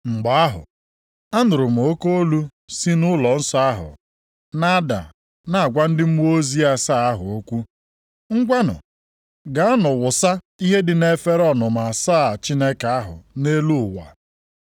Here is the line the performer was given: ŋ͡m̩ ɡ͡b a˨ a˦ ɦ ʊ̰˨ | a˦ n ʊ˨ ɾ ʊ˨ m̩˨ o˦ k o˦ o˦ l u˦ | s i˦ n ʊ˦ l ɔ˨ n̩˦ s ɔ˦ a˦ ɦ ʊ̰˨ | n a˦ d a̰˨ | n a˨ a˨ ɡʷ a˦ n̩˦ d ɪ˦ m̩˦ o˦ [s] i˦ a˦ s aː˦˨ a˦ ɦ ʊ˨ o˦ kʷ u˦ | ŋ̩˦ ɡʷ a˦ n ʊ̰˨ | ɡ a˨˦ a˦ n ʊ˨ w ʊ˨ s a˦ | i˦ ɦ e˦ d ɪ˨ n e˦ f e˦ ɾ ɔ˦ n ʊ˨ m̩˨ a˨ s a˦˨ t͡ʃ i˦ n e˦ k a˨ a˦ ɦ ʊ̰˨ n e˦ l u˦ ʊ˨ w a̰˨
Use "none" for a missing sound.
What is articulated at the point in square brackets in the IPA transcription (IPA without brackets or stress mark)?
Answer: z